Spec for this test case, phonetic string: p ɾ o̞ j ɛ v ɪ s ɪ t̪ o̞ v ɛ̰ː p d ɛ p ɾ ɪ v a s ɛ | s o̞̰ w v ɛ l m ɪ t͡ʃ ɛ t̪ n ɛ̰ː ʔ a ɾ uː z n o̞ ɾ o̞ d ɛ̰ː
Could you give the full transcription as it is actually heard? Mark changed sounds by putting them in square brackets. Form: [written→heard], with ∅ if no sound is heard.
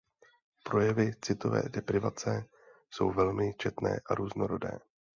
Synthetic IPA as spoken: p ɾ o̞ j ɛ v ɪ [s→t͡s] ɪ t̪ o̞ v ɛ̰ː [p→∅] d ɛ p ɾ ɪ v a [s→t͡s] ɛ | s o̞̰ w v ɛ l m ɪ t͡ʃ ɛ t̪ n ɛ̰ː ʔ a ɾ uː z n o̞ ɾ o̞ d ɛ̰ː